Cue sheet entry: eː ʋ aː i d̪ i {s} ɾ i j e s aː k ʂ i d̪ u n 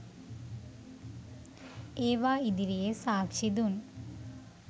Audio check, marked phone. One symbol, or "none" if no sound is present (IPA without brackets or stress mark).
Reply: none